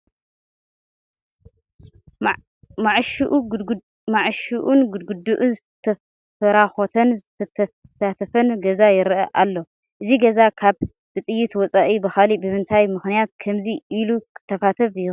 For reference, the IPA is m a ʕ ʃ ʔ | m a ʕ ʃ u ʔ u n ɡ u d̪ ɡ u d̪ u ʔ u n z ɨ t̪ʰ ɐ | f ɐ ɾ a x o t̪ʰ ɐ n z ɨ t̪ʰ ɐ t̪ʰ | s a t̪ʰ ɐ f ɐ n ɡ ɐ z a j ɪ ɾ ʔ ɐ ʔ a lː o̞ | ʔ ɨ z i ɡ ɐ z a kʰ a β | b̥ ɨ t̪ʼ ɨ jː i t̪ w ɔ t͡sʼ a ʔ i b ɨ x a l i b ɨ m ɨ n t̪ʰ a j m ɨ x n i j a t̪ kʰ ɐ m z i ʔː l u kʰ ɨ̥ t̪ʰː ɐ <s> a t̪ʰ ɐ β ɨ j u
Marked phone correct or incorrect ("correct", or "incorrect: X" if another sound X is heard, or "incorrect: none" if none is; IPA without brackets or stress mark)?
incorrect: f